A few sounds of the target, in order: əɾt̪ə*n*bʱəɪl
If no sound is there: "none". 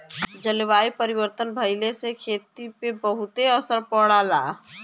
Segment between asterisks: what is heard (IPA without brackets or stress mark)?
n